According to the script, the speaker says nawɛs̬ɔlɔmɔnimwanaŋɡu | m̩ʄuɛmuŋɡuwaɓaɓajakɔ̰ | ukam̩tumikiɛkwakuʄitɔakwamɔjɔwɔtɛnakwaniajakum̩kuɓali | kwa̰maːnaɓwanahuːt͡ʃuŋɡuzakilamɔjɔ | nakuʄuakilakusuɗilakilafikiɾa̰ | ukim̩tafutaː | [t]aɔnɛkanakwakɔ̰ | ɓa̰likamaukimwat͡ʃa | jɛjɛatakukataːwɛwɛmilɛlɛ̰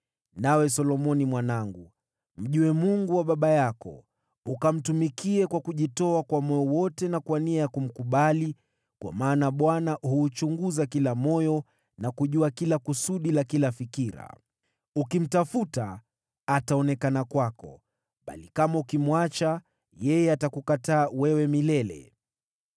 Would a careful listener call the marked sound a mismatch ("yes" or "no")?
no